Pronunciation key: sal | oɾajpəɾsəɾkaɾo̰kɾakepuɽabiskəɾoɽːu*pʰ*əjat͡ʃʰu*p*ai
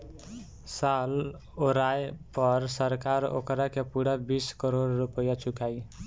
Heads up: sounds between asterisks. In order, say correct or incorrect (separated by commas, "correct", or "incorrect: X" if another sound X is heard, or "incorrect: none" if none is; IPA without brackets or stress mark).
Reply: incorrect: p, incorrect: k